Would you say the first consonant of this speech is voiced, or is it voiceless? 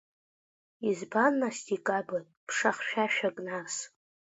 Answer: voiced